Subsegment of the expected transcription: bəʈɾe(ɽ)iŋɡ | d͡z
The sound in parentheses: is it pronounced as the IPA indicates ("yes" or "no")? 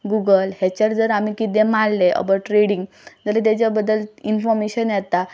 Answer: yes